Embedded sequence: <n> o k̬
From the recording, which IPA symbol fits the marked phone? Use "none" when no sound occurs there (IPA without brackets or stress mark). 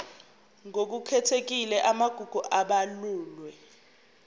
ŋ